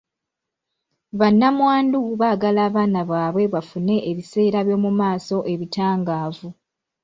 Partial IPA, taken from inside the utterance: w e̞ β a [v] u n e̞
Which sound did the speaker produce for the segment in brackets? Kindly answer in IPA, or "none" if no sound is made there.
f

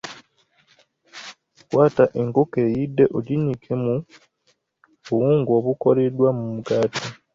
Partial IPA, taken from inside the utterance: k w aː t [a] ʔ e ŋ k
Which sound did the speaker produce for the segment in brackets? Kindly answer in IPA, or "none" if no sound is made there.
a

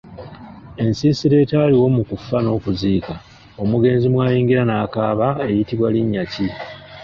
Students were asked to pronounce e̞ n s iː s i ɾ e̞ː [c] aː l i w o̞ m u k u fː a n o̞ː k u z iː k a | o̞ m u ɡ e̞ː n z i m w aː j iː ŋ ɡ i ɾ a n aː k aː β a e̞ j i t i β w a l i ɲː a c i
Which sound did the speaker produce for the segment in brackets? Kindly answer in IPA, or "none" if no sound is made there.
t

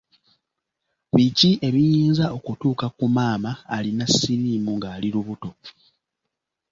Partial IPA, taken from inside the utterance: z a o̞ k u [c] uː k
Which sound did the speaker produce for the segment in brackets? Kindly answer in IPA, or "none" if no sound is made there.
t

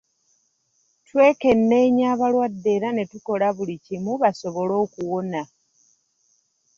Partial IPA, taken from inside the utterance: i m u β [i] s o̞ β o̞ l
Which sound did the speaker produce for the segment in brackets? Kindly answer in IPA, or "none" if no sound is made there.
a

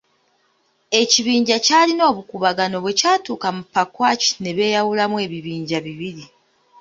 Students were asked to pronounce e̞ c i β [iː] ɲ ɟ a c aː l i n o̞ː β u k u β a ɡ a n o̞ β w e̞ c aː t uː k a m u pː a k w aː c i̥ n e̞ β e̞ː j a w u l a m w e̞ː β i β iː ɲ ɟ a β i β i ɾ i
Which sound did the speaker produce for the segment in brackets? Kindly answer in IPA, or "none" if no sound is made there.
iː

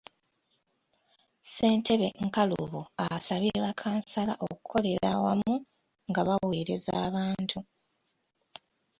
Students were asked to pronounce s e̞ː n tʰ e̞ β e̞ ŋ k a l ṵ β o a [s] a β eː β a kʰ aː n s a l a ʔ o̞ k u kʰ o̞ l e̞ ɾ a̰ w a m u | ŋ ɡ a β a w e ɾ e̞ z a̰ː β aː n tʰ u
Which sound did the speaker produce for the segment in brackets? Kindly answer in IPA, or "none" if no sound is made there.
s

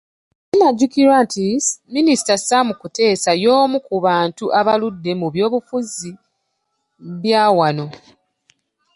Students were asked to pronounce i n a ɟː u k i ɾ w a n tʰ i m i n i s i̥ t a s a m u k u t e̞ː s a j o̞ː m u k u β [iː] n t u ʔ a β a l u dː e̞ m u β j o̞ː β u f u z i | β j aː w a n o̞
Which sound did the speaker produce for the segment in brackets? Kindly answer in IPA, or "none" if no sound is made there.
aː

